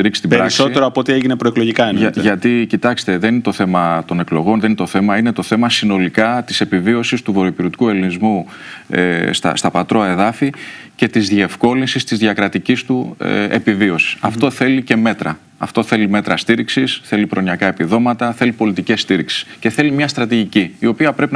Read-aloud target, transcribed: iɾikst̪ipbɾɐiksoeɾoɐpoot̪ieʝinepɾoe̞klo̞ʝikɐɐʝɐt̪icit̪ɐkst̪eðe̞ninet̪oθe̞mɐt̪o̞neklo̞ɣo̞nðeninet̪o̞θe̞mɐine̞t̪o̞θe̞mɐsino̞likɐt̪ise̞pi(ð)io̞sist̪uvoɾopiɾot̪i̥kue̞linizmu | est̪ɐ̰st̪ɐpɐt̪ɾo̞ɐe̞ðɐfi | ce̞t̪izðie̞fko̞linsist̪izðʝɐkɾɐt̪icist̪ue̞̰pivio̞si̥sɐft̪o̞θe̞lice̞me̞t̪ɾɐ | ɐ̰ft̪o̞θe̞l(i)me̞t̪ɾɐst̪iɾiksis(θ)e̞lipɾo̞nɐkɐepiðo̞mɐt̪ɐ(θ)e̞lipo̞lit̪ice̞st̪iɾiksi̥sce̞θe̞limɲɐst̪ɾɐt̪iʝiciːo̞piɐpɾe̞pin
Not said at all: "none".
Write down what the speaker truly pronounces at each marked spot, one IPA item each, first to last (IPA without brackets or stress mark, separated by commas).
v, i, θ, θ